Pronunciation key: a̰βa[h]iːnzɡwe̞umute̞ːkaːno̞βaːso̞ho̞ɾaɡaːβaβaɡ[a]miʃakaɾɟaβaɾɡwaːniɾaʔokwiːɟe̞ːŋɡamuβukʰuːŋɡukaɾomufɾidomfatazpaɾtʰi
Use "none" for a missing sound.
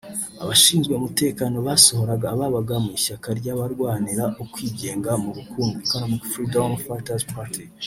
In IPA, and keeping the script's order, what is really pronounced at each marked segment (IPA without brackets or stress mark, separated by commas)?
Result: ʃ, a